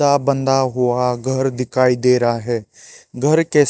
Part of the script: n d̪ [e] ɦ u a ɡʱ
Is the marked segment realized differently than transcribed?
yes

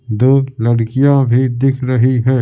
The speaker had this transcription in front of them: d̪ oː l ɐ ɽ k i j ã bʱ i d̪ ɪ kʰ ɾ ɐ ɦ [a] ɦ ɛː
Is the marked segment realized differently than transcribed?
yes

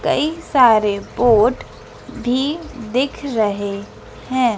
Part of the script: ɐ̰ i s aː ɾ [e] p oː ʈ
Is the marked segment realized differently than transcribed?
no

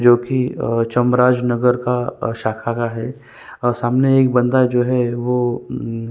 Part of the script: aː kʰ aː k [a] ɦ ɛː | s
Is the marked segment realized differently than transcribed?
no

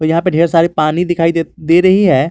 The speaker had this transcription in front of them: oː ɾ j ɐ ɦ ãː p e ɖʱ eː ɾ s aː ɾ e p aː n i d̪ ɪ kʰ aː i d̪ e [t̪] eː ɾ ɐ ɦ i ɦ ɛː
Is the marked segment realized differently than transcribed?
yes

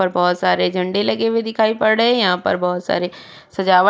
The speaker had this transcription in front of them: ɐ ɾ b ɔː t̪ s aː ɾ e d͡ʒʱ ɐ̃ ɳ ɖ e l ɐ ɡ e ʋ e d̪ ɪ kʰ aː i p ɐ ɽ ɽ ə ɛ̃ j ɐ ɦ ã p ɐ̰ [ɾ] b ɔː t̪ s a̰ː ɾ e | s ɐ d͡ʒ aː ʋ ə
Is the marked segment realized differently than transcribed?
no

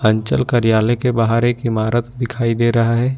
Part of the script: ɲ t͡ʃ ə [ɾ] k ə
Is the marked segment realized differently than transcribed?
yes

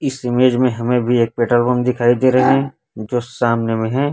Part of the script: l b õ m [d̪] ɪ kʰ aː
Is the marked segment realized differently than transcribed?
no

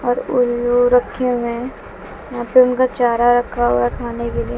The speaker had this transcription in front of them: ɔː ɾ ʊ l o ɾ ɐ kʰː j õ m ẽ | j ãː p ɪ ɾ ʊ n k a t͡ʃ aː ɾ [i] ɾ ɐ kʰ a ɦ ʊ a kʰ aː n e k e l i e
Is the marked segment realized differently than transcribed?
yes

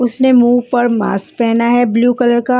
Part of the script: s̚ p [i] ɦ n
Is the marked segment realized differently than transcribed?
yes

